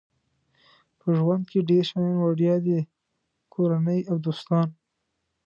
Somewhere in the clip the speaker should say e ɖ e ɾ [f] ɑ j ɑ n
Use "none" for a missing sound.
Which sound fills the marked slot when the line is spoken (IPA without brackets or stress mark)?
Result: ʃ